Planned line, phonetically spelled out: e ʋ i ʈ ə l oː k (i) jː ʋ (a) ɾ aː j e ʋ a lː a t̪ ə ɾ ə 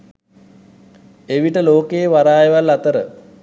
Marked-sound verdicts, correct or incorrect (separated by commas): incorrect, correct